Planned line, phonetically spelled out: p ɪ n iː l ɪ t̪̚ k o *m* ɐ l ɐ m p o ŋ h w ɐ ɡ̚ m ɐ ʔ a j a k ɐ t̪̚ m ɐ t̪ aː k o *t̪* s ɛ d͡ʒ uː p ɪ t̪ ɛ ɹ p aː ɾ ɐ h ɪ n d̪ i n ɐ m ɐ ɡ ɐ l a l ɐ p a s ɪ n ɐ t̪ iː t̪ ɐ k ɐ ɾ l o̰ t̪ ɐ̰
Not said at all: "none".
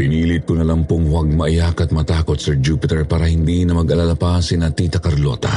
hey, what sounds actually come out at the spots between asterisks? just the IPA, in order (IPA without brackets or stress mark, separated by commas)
n, t̪